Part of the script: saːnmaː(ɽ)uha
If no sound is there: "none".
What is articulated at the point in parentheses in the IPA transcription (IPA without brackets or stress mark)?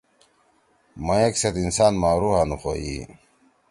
ɾ